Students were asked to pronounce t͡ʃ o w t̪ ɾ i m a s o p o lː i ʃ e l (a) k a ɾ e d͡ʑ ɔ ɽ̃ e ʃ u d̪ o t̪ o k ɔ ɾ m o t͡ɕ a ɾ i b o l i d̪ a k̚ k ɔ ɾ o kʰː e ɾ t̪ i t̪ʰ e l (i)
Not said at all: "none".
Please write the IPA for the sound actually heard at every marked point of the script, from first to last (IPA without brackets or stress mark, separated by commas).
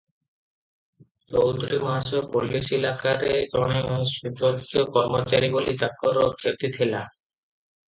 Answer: a, a